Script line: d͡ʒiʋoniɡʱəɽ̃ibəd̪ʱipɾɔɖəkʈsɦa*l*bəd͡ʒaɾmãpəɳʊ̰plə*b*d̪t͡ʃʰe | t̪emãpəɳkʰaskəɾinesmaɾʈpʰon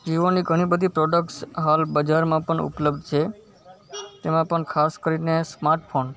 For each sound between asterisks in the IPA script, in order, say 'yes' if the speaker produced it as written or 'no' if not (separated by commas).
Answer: yes, yes